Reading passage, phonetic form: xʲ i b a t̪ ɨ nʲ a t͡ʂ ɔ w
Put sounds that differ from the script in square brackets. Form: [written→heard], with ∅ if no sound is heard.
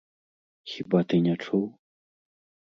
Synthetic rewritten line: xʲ i b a t̪ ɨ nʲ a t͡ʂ [ɔ→u] w